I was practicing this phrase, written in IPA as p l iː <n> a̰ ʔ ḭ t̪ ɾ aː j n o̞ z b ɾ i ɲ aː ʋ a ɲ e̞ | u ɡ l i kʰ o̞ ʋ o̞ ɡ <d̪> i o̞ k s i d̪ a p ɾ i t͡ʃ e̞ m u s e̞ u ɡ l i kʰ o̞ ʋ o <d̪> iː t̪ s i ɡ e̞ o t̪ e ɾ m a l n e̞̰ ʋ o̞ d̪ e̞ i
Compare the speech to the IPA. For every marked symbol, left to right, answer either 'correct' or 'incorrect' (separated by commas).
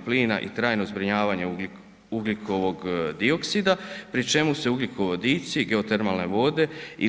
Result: correct, correct, correct